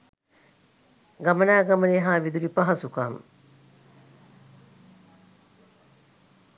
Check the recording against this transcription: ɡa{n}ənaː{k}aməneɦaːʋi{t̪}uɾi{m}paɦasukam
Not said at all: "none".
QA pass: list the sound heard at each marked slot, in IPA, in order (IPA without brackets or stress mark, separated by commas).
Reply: m, ɡ, d̪, none